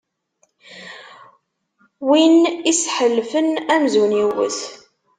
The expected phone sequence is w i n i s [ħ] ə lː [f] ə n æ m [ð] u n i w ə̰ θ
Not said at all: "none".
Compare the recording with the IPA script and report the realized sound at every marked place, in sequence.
ħ, f, z

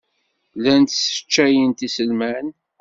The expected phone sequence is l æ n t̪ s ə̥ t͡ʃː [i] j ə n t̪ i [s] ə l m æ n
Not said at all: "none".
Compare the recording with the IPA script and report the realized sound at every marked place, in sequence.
æ, s

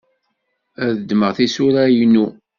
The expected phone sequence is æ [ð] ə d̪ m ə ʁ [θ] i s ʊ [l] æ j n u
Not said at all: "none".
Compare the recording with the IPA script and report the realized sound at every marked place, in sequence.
ð, θ, ɾ

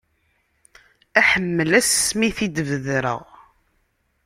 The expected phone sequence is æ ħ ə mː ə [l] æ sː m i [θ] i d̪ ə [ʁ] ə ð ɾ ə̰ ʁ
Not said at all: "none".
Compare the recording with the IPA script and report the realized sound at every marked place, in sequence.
l, θ, v

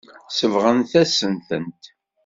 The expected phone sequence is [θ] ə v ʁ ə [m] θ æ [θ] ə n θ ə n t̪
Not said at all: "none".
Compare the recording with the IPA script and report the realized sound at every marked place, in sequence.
s, n, s

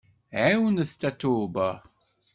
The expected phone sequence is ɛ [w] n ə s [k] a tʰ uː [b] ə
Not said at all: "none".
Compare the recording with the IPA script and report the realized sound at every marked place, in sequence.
w, t, b

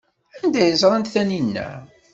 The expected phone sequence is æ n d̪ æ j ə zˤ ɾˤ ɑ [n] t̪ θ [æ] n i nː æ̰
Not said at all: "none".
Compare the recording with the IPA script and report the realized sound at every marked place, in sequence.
n, æ

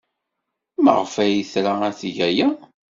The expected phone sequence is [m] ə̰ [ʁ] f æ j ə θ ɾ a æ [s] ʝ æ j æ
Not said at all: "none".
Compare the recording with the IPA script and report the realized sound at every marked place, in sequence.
m, ʁ, θ

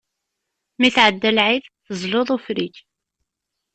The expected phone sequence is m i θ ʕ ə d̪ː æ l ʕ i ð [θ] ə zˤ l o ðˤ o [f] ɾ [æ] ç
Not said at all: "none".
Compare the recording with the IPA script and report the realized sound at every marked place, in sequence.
θ, f, i

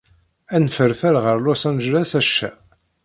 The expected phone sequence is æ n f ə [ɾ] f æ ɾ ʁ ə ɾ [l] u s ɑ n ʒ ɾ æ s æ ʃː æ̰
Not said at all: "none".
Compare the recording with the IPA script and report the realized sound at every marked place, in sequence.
ɾ, l

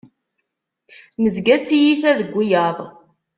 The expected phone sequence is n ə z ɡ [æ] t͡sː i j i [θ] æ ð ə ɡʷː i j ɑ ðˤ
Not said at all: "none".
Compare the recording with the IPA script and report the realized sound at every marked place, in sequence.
æ, θ

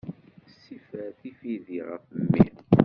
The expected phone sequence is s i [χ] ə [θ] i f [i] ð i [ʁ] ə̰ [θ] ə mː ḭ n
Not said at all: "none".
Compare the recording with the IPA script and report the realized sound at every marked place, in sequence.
f, θ, i, ʁ, f

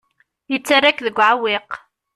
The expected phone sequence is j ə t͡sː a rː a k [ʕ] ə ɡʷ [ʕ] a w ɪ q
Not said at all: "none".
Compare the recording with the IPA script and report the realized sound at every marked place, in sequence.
ð, ʕ

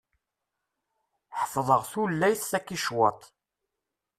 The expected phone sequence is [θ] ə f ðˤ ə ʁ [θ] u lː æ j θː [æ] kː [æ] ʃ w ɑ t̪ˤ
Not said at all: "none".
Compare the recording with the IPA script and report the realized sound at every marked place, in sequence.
ħ, θ, æ, i

